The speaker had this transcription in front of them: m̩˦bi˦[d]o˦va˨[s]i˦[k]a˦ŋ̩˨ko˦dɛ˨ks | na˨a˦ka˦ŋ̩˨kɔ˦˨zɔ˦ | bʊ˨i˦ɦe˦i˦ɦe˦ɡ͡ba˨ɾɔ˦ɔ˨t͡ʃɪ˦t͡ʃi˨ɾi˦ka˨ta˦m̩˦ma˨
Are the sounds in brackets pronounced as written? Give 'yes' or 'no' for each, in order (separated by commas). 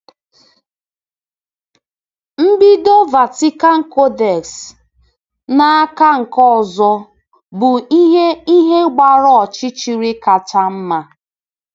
yes, no, yes